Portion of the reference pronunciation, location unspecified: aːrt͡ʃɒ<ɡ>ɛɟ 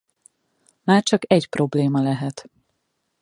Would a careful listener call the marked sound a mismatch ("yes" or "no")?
yes